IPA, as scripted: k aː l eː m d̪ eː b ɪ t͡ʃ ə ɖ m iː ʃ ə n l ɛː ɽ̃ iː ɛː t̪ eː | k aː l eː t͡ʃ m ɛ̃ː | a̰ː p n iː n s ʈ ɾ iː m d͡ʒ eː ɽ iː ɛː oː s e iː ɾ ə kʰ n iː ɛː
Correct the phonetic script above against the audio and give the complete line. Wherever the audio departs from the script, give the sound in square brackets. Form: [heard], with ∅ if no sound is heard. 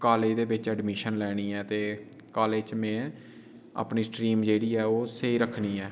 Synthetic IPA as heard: k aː l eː [∅] d̪ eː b ɪ t͡ʃ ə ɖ m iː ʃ ə n l ɛː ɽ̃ iː ɛː t̪ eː | k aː l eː t͡ʃ m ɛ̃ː | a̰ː p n iː [∅] s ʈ ɾ iː m d͡ʒ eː ɽ iː ɛː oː s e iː ɾ ə kʰ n iː ɛː